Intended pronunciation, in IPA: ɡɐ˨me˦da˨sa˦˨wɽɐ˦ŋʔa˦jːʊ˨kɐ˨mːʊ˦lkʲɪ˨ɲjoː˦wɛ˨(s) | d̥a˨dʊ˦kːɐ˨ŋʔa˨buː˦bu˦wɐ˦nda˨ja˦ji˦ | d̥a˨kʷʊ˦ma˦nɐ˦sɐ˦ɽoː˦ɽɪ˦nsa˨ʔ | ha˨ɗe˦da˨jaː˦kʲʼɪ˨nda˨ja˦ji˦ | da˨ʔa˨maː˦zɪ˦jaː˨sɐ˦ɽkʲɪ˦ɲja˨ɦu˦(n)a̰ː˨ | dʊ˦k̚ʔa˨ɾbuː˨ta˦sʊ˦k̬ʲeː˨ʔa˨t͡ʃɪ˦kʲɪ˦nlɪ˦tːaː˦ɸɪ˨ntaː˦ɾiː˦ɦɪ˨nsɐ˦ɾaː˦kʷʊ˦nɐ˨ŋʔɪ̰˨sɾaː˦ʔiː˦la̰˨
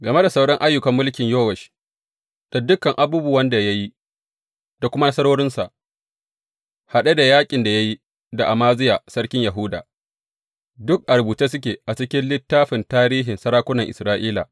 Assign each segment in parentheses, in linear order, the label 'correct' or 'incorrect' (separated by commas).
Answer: incorrect, incorrect